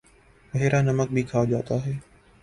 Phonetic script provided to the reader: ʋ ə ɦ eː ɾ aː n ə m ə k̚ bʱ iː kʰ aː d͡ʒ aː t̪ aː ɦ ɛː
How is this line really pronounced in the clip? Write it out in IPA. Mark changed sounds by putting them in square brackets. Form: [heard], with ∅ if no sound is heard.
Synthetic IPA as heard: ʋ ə ɦ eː ɾ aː n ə m ə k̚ bʱ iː kʰ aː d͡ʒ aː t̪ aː ɦ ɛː

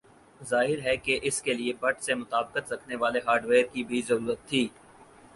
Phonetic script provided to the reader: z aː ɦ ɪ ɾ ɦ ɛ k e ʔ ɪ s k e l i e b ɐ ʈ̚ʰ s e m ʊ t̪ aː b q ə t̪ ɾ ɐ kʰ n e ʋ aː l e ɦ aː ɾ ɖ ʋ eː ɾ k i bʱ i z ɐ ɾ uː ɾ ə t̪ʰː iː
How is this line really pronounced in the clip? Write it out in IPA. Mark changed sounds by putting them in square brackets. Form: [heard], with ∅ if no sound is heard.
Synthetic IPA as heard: z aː ɦ ɪ ɾ ɦ ɛ k e ʔ ɪ s k e l i e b ɐ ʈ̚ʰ s e m ʊ t̪ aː b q ə t̪ ɾ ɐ kʰ n e ʋ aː l e ɦ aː ɾ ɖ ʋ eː ɾ k i bʱ i z ɐ ɾ uː ɾ ə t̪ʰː iː

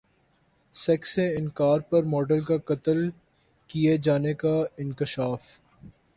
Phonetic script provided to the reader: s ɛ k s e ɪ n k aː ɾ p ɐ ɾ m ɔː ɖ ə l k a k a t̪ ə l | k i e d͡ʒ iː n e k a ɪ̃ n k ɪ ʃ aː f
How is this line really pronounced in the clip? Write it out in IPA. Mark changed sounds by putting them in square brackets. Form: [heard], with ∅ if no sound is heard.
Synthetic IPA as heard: s ɛ k s e ɪ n k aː ɾ p ɐ ɾ m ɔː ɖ ə l k a k [ɐ] t̪ ə l | k i e d͡ʒ [aː] n e k a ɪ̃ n k ɪ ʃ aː f

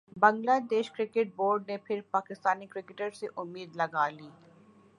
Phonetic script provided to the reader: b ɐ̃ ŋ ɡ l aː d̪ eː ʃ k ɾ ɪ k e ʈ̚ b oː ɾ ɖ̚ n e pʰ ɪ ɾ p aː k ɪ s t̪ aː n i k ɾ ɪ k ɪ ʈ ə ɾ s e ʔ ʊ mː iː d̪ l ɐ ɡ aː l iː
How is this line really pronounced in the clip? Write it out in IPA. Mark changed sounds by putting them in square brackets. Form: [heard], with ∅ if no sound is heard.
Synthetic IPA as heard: b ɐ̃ ŋ ɡ l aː d̪ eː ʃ k ɾ ɪ k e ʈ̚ b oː ɾ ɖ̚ n e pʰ ɪ ɾ p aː k ɪ s t̪ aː n i k ɾ ɪ k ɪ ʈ ə ɾ s e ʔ ʊ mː iː d̪ l ɐ ɡ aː l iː

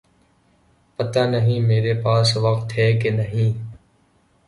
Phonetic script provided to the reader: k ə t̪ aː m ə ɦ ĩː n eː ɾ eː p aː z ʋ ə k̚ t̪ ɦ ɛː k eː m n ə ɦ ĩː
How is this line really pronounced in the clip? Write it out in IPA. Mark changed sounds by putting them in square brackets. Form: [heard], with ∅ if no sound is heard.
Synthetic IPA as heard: [p] ə t̪ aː [n] ə ɦ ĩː [m] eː ɾ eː p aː [s] ʋ ə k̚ t̪ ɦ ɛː k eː [∅] n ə ɦ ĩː

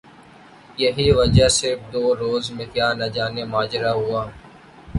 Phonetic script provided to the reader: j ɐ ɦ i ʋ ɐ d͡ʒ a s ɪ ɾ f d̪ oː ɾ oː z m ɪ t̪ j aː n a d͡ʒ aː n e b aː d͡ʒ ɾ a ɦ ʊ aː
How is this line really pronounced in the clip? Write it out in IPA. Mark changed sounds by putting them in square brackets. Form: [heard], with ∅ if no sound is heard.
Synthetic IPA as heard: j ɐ ɦ i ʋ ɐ d͡ʒ a s ɪ ɾ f d̪ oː ɾ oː z m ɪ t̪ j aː n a d͡ʒ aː n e [m] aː d͡ʒ ɾ a ɦ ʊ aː

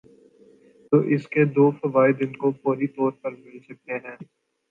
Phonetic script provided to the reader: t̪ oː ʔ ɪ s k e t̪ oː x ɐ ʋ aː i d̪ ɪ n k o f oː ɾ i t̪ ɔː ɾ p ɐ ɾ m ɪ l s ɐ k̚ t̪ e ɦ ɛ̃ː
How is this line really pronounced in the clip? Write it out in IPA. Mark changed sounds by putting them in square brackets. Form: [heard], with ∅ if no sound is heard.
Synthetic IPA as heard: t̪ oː ʔ ɪ s k e [d̪] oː [f] ɐ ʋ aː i d̪ ɪ n k o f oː ɾ i t̪ ɔː ɾ p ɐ ɾ m ɪ l s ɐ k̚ t̪ e ɦ ɛ̃ː

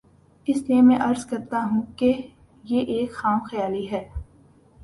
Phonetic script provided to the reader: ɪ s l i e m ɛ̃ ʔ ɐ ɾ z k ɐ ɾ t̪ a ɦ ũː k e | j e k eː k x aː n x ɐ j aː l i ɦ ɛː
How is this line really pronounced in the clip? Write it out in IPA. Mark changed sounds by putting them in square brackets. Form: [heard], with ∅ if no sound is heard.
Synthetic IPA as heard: ɪ s l i e m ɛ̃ ʔ ɐ ɾ z k ɐ ɾ t̪ a ɦ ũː k e | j e [ʔ] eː k x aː [m] x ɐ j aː l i ɦ ɛː

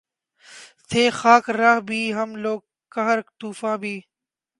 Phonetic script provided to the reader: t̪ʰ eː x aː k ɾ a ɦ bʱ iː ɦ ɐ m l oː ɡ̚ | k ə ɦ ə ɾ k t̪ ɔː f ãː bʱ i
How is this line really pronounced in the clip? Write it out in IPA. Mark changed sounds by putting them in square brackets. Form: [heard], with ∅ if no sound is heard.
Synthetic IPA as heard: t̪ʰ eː x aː k ɾ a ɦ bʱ iː ɦ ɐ m l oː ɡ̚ | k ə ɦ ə ɾ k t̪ [uː] f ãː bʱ [iː]

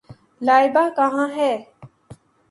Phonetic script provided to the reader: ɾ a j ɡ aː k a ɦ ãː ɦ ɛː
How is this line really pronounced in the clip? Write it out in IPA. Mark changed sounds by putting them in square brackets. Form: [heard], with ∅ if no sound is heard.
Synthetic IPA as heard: [l] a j [b] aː k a ɦ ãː ɦ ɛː

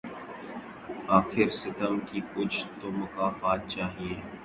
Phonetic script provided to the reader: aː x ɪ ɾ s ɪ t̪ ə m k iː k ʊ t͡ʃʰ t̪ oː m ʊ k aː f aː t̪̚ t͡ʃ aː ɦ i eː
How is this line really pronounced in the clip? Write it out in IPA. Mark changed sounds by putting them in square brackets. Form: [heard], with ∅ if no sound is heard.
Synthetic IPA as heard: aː x ɪ ɾ s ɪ t̪ ə m k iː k ʊ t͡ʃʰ t̪ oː m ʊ k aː f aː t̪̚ t͡ʃ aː ɦ i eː

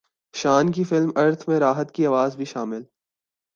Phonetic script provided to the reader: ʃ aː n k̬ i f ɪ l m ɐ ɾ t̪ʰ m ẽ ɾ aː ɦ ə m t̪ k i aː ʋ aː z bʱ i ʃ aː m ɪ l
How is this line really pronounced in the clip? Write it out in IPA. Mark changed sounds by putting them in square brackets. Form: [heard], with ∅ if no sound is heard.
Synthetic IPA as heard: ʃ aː n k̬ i f ɪ l m ɐ ɾ t̪ʰ m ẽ ɾ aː ɦ ə [∅] t̪ k i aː ʋ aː z bʱ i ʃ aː m ɪ l

